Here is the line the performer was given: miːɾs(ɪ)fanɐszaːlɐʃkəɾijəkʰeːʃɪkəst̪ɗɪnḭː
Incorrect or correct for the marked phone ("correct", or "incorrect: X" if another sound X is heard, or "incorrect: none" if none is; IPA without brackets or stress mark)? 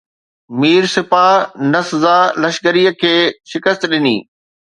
correct